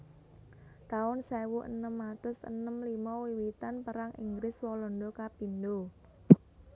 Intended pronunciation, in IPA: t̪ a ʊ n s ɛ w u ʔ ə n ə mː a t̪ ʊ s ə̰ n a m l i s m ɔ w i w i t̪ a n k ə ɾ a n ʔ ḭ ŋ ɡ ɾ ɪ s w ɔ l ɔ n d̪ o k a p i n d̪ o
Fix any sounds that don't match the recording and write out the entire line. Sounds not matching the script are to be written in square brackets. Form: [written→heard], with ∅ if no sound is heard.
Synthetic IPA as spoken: t̪ a ʊ n s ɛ w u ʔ ə n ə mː a t̪ ʊ s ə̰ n [a→ə] m l i [s→∅] m ɔ w i w i t̪ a n [k→p] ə ɾ a [n→ŋ] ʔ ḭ ŋ ɡ ɾ ɪ s w ɔ l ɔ n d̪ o k a p i n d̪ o